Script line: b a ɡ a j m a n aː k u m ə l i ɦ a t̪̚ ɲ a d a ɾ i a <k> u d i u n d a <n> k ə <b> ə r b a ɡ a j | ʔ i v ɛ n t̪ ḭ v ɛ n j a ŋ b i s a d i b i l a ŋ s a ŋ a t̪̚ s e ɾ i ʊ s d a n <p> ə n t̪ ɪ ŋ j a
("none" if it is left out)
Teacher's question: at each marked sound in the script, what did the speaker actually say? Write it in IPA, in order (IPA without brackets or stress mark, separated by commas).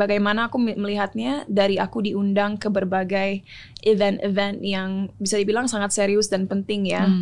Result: k, ŋ, b, p